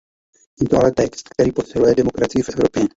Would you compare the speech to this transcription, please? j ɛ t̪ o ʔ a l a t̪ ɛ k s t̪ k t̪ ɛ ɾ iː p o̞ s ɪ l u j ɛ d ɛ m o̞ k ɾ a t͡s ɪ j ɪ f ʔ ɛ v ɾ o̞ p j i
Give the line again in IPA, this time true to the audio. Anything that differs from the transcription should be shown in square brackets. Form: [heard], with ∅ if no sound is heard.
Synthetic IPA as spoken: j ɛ t̪ o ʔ a l [ɛ] t̪ ɛ k s t̪ k t̪ ɛ ɾ iː p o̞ s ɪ l u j ɛ d ɛ m o̞ k ɾ a t͡s ɪ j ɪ f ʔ ɛ v ɾ o̞ p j [ɛ]